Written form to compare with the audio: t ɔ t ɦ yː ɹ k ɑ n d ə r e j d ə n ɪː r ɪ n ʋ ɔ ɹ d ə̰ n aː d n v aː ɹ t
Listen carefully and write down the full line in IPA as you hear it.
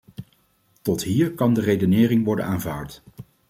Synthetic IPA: t ɔ t ɦ iː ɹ k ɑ n d ə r e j d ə n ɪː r ɪ ŋ ʋ ɔ ɹ d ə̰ n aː n v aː ɹ t